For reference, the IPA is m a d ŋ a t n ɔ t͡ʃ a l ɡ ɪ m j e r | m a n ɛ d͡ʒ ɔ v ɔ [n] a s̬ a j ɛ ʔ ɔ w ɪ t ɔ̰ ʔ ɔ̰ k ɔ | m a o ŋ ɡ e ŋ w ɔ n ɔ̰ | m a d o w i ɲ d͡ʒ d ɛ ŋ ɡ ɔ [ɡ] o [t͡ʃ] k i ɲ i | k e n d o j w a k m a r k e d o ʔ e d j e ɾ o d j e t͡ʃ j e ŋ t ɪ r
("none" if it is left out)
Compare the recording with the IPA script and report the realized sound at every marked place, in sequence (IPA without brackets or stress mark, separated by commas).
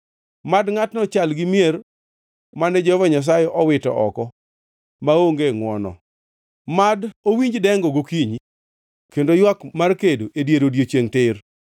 ɲ, ɡ, none